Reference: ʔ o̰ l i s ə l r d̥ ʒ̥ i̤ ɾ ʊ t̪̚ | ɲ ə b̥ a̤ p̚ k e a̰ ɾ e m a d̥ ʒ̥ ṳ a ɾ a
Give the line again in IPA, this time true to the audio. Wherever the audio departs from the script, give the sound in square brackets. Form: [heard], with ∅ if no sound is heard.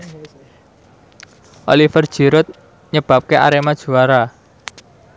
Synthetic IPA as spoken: ʔ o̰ l i [f] ə [∅] r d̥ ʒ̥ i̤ ɾ ʊ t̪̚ | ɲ ə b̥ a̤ p̚ k e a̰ ɾ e m a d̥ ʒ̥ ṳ a ɾ a